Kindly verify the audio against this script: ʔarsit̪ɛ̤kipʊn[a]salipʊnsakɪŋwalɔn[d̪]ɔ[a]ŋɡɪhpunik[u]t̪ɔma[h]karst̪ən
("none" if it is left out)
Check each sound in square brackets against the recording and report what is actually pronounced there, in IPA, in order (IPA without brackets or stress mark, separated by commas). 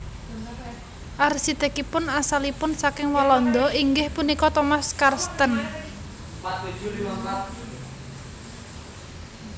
a, d̪, i, ɔ, s